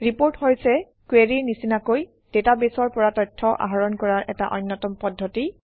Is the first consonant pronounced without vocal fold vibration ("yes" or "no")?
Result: no